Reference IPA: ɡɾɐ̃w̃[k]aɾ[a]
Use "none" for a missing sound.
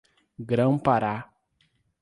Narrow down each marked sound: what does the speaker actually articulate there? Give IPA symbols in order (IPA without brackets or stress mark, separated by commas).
p, a